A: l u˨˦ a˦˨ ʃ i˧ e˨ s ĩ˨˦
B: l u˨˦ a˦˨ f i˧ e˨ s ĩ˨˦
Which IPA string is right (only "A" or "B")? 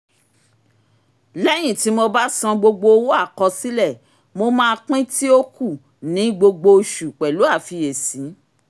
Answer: B